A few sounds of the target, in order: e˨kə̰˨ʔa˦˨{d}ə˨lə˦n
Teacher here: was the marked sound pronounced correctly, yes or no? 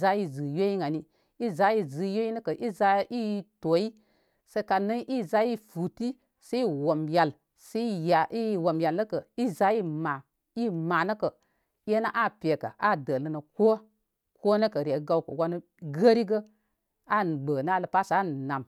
yes